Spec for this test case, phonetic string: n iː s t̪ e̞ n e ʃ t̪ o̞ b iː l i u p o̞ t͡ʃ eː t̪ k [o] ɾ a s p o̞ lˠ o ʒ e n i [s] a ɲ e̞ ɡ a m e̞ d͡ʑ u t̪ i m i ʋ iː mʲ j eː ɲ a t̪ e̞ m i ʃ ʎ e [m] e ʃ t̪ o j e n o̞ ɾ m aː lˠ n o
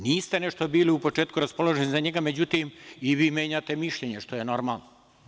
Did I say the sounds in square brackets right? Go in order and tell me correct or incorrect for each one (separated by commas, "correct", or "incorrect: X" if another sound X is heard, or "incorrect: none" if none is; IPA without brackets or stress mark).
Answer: incorrect: u, incorrect: z, incorrect: ɲ